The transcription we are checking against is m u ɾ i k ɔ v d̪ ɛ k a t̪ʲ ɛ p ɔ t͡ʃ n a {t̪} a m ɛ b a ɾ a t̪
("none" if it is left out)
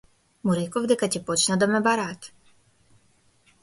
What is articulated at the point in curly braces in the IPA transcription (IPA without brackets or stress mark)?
d̪